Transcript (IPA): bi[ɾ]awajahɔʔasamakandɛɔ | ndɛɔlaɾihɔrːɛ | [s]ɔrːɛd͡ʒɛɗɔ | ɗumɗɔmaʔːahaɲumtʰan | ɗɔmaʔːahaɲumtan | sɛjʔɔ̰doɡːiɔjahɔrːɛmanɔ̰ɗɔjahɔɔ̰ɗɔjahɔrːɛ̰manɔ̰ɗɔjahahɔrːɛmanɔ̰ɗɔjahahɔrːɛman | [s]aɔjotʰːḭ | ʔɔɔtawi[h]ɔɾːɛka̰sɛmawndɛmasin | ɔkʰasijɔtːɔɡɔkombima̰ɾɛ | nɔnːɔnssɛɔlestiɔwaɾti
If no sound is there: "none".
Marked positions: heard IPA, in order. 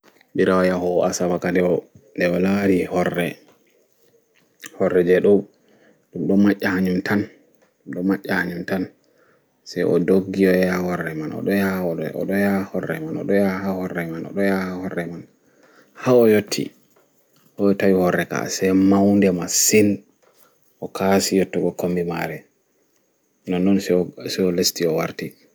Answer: ɾ, h, h, h

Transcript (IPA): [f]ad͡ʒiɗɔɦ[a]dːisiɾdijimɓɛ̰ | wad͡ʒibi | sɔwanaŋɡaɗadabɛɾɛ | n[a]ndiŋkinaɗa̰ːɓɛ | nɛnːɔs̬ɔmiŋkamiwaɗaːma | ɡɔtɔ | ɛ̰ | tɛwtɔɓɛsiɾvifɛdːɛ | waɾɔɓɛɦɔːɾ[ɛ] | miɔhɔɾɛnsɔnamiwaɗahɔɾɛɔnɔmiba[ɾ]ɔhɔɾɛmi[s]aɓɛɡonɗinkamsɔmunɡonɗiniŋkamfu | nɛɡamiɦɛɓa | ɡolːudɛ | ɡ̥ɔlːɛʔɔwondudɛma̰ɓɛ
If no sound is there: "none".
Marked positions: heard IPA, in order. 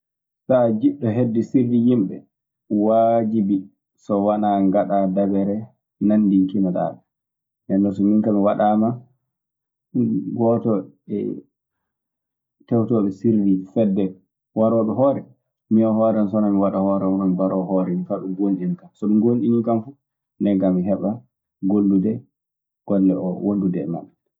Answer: s, e, a, ɛ, ɾ, f

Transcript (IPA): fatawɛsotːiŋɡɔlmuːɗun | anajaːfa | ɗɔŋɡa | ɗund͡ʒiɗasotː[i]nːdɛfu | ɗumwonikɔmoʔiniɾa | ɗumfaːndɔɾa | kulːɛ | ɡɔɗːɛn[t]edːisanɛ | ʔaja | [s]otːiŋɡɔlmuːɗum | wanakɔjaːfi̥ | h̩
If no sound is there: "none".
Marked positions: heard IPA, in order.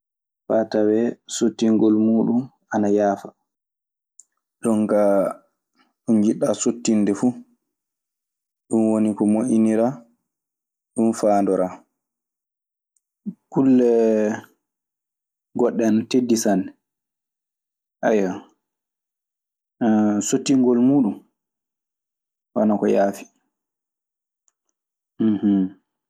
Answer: i, t, s

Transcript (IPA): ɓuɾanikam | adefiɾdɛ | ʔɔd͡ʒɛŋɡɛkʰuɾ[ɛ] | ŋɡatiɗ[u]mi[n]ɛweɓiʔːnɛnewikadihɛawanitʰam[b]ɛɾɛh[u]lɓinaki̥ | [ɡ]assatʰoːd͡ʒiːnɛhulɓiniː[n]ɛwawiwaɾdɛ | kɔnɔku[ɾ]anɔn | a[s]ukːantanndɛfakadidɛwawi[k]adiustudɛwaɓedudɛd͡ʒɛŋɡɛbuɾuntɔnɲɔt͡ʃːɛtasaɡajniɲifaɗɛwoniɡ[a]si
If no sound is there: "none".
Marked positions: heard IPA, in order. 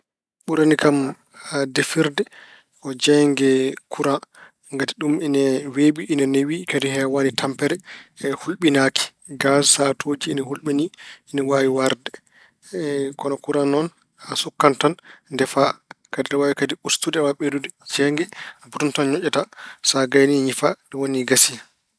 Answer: a, u, n, p, u, ɡ, n, ɾ, s, k, a

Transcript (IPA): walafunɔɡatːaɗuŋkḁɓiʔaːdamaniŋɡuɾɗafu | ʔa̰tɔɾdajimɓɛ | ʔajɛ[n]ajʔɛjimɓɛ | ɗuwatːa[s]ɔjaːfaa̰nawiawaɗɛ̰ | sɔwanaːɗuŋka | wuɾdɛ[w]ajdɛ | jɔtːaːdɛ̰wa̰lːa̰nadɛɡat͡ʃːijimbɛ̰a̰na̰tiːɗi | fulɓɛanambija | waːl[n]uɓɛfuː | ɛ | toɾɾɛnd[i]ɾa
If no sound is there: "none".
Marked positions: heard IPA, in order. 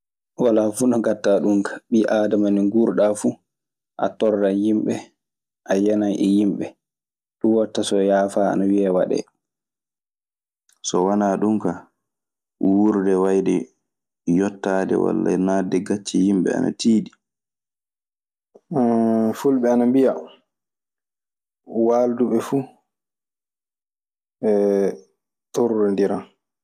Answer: n, s, w, d, i

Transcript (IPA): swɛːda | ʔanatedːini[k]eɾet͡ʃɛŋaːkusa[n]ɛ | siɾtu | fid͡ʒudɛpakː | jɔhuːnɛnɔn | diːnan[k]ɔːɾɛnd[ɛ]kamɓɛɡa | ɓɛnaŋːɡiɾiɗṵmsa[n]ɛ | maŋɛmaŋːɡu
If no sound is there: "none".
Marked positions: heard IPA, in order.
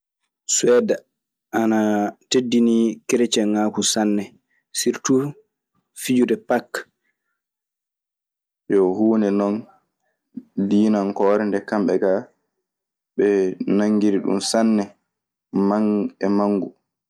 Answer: k, nː, k, ɛ, nː

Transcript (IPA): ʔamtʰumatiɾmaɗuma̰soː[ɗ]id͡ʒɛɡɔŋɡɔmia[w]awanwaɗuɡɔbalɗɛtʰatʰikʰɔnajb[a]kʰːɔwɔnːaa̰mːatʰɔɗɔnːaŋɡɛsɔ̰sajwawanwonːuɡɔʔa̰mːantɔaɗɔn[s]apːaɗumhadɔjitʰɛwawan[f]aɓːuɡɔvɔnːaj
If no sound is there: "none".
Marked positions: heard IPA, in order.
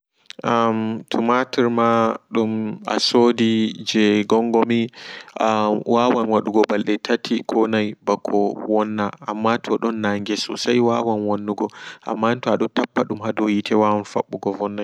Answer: d, w, a, t, f

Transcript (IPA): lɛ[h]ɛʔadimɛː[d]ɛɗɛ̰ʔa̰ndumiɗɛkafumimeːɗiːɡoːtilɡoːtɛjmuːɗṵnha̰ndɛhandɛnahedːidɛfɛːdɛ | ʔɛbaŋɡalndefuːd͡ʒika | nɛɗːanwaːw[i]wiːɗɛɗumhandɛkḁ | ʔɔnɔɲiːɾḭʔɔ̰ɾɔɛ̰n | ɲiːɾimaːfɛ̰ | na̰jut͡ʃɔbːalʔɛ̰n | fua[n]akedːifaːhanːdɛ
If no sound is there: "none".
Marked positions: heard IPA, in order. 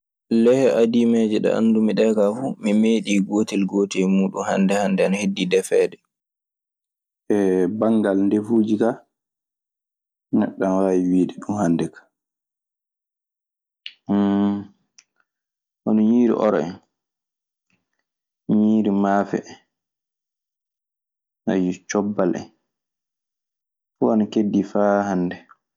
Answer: h, d͡ʒ, i, n

